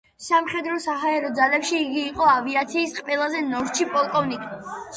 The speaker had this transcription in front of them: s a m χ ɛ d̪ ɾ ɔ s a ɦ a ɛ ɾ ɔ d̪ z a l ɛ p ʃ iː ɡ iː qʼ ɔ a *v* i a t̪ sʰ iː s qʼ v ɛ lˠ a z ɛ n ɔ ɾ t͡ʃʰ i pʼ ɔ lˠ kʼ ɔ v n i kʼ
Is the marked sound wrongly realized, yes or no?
no